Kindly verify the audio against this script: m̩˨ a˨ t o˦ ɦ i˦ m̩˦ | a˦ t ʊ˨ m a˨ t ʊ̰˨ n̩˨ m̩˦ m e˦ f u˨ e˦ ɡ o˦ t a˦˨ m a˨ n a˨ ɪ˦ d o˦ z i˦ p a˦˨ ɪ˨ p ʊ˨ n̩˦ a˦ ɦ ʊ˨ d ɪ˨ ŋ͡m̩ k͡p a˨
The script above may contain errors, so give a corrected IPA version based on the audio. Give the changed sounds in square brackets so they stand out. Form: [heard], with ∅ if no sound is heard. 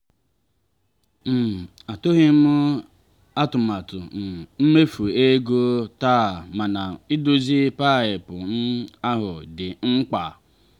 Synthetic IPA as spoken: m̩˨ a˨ t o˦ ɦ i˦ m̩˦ | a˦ t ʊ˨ m a˨ t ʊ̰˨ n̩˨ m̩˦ m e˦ f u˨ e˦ ɡ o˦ t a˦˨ m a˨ n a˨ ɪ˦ d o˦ z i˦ p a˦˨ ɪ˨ p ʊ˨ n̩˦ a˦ ɦ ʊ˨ d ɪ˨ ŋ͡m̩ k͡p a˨